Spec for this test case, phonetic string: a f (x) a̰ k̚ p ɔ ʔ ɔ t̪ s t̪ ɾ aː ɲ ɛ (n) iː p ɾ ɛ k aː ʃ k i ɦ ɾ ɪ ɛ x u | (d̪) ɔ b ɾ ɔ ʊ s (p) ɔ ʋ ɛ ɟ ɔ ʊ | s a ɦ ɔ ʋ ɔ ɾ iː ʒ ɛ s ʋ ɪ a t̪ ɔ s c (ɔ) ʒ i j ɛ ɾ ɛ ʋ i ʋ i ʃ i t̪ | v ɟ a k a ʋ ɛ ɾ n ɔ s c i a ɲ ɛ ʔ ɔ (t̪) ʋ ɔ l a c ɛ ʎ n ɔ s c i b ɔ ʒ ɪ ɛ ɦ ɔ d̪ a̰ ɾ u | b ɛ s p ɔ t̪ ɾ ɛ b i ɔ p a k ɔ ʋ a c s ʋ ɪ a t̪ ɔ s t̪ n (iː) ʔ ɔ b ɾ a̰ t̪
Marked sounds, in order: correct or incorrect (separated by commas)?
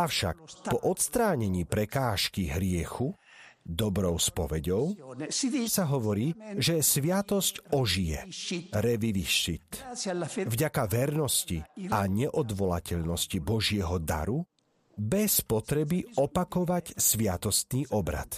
incorrect, incorrect, correct, correct, correct, incorrect, correct